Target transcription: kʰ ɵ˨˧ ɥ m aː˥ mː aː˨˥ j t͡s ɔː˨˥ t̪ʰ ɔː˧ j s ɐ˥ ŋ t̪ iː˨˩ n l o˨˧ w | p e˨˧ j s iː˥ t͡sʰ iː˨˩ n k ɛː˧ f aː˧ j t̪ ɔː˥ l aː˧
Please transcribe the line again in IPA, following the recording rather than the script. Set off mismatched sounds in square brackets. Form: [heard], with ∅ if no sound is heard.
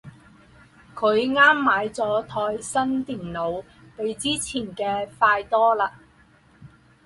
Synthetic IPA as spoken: kʰ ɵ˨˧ ɥ [ŋ] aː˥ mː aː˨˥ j t͡s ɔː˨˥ t̪ʰ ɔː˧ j s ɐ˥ [n] t̪ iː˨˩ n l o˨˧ w | p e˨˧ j [t͡s] iː˥ t͡sʰ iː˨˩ n k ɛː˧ f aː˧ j t̪ ɔː˥ l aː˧